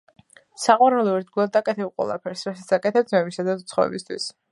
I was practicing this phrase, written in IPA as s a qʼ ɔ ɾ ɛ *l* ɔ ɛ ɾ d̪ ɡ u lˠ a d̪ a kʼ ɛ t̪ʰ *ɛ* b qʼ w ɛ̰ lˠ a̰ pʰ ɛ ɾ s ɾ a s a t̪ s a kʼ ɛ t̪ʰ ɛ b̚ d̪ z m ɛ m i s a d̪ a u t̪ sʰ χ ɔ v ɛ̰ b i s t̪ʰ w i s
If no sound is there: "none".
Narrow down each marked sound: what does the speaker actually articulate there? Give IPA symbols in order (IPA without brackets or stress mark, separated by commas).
l, ɛ